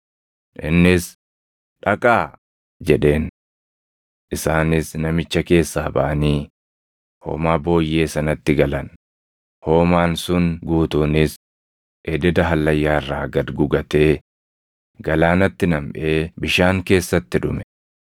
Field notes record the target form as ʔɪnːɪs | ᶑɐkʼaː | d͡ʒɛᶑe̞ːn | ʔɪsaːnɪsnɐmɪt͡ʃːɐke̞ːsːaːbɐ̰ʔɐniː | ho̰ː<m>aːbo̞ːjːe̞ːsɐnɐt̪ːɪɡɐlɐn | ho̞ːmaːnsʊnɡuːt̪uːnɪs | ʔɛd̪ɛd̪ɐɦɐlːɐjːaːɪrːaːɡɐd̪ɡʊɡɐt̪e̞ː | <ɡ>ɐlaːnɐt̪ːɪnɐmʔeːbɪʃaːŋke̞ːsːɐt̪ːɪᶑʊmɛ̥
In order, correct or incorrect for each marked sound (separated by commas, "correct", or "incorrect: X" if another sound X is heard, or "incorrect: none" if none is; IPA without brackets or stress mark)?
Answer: correct, correct